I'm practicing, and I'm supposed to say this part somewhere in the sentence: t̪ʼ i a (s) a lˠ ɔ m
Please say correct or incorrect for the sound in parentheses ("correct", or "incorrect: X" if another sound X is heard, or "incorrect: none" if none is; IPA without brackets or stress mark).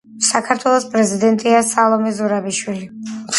correct